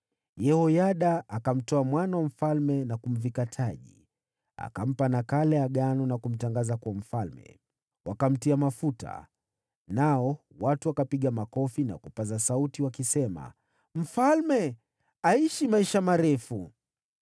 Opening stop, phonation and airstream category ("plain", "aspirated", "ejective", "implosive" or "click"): implosive